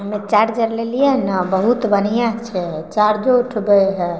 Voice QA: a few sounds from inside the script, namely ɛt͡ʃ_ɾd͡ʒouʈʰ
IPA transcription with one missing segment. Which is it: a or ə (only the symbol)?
a